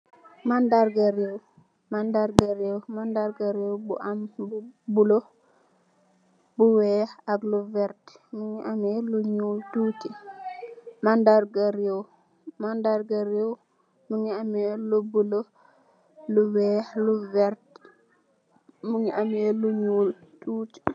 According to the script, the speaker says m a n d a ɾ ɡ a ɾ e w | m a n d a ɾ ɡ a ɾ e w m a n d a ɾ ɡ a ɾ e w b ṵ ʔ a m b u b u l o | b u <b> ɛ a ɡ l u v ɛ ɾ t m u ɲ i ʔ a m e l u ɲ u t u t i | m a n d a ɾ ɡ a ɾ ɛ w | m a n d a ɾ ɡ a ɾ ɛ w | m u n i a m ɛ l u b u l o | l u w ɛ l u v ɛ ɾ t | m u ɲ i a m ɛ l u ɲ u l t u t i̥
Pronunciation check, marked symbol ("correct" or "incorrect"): incorrect